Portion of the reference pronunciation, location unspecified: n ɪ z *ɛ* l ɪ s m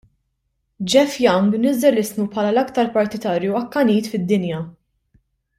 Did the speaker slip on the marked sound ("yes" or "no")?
no